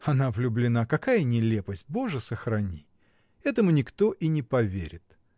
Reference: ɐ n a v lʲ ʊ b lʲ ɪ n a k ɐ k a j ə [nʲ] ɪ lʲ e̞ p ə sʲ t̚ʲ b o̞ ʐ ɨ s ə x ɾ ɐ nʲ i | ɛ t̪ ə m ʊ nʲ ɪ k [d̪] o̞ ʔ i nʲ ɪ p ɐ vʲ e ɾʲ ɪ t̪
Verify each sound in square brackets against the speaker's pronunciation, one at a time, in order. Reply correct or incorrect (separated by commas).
correct, incorrect